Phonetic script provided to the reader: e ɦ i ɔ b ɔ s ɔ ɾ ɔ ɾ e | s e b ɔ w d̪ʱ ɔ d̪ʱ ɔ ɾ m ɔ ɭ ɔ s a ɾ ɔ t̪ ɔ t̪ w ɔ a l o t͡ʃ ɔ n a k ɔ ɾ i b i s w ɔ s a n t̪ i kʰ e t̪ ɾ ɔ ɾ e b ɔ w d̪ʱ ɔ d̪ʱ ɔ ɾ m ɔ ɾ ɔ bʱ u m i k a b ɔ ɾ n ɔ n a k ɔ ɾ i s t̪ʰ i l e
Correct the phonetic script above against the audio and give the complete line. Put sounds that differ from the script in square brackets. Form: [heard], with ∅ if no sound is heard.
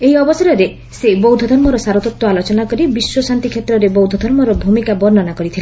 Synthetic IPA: e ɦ i ɔ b ɔ s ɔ ɾ ɔ ɾ e | s e b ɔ w d̪ʱ ɔ d̪ʱ ɔ ɾ m ɔ [ɾ] ɔ s a ɾ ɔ t̪ ɔ t̪ w ɔ a l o t͡ʃ ɔ n a k ɔ ɾ i b i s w ɔ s a n t̪ i kʰ e t̪ ɾ ɔ ɾ e b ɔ w d̪ʱ ɔ d̪ʱ ɔ ɾ m ɔ ɾ ɔ bʱ u m i k a b ɔ ɾ n ɔ n a k ɔ ɾ i [∅] t̪ʰ i l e